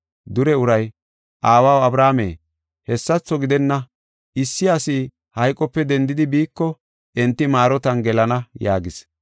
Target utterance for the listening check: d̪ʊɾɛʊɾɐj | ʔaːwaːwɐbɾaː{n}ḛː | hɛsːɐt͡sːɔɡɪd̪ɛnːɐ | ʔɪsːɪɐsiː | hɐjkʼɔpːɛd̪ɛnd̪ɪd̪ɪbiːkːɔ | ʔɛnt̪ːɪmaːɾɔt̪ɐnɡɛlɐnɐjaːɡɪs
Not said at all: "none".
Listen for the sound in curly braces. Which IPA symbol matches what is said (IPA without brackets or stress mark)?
m